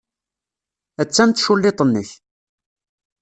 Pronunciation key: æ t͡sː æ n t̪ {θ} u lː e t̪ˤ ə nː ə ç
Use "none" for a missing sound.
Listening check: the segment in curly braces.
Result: ʃ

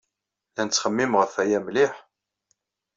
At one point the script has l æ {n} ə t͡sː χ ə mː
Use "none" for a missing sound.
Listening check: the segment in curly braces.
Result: n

